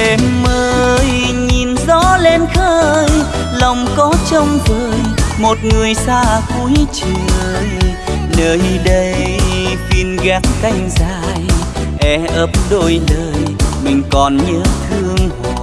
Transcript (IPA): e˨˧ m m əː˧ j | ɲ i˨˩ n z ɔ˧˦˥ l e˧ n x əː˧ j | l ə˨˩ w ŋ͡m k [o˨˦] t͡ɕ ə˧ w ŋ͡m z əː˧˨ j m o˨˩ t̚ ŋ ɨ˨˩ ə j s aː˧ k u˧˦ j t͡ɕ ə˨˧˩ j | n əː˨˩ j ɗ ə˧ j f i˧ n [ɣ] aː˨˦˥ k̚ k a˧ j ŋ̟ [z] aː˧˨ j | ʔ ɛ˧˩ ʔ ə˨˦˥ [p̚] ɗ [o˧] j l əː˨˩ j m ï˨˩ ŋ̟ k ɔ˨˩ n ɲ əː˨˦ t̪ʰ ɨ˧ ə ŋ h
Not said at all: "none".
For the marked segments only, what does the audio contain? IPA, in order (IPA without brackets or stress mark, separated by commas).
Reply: ɔ˨˦, ɣ, z, p̚, o˧